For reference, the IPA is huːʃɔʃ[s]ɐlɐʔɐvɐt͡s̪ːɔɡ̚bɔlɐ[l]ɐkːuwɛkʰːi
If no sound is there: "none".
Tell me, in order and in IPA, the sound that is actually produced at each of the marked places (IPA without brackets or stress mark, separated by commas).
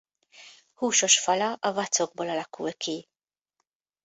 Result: f, l